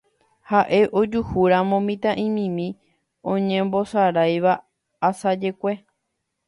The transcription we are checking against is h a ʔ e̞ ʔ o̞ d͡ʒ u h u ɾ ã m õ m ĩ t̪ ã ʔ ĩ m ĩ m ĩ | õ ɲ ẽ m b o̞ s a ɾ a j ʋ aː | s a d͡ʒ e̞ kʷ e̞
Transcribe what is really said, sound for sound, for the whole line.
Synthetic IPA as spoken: h a ʔ e̞ ʔ o̞ d͡ʒ u h u ɾ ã m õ m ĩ t̪ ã ʔ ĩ m ĩ m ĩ | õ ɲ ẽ m b o̞ s a ɾ a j ʋ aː | s a d͡ʒ e̞ kʷ e̞